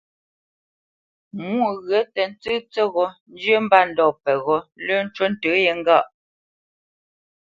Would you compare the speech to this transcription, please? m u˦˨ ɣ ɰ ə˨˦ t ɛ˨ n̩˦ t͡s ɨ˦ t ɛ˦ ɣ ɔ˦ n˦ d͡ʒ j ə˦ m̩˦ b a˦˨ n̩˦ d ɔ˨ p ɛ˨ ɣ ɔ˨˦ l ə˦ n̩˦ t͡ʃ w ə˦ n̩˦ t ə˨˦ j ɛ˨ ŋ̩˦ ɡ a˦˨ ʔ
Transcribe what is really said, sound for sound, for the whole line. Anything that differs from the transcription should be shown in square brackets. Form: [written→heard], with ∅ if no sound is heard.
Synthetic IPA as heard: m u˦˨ ɣ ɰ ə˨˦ t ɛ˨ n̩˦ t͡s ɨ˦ [t→t͡s] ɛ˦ ɣ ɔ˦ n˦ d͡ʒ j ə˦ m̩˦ b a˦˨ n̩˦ d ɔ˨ p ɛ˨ ɣ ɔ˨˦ l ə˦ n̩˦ t͡ʃ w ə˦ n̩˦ t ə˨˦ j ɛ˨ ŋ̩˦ ɡ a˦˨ ʔ